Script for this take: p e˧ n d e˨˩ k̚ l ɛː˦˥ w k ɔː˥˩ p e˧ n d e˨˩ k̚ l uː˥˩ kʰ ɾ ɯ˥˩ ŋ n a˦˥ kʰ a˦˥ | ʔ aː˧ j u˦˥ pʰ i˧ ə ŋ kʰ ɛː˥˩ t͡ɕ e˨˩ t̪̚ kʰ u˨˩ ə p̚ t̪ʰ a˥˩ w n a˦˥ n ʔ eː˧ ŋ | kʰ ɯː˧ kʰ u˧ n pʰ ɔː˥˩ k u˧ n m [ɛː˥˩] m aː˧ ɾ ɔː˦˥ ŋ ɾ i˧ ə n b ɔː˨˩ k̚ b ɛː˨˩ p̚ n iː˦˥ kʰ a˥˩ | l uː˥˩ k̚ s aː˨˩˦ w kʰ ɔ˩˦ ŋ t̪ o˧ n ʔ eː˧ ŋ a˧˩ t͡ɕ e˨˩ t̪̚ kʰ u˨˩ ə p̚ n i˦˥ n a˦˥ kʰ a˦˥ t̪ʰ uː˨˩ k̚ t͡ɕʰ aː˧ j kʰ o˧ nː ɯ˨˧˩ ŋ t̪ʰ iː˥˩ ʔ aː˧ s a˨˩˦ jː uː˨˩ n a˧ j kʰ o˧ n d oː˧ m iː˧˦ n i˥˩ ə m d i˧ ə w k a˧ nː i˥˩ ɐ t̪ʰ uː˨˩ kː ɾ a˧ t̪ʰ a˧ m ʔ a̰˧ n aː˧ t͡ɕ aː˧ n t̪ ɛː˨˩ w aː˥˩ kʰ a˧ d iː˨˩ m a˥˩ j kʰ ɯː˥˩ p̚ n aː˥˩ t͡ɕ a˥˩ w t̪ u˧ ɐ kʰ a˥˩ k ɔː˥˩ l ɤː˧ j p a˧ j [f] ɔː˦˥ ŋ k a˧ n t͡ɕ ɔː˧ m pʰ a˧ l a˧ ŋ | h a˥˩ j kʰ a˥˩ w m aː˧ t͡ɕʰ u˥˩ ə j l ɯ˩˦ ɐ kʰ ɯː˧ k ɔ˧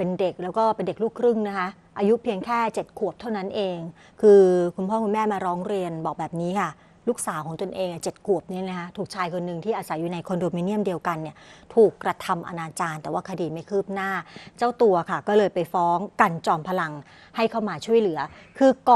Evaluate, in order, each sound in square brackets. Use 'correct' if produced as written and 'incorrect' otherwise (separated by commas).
correct, correct